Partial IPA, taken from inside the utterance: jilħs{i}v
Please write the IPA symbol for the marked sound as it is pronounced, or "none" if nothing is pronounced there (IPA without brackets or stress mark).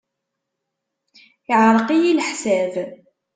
æ